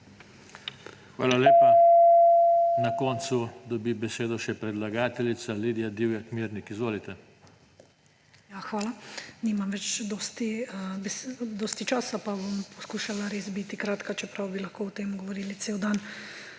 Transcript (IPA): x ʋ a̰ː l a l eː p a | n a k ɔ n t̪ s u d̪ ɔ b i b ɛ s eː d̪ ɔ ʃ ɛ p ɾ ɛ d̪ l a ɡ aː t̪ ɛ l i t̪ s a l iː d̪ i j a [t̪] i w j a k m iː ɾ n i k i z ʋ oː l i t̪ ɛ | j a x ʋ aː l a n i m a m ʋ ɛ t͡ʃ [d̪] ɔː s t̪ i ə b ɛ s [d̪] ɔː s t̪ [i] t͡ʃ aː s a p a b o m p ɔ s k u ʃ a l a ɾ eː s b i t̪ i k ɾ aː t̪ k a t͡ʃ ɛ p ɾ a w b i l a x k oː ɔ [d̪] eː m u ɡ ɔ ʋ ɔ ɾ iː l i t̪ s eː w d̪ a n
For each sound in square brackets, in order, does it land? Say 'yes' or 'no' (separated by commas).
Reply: no, yes, yes, yes, no